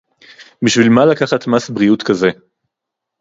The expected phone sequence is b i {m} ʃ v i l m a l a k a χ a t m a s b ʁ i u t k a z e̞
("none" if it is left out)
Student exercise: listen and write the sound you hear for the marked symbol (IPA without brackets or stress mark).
none